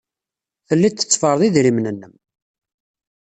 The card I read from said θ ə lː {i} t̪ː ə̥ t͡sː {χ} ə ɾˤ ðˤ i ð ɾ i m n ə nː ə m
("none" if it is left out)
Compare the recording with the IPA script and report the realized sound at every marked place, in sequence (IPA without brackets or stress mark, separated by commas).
i, f